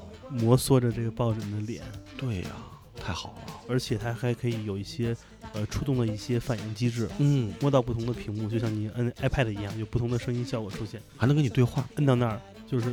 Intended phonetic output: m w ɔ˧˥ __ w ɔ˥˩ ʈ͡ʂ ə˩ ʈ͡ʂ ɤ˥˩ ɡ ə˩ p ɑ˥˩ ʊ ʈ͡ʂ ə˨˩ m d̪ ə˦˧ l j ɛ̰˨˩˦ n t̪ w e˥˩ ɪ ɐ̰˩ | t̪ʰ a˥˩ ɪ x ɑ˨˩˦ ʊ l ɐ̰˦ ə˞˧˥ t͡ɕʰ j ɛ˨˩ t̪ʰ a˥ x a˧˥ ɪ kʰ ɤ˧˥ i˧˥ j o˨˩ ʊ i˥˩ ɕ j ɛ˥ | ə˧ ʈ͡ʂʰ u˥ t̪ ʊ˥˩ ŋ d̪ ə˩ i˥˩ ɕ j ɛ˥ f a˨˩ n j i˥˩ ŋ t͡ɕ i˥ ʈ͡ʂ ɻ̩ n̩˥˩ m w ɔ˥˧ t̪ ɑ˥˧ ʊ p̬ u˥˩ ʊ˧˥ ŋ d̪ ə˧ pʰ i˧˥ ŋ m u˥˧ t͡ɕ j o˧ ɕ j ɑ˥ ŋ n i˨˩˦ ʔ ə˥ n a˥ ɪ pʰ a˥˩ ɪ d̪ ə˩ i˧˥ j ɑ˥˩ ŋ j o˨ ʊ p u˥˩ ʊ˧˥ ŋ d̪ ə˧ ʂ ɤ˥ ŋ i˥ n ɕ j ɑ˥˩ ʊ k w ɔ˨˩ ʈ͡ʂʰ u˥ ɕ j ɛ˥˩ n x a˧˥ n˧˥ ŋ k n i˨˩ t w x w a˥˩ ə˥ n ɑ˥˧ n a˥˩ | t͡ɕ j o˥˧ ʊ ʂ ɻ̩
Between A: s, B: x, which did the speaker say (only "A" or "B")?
A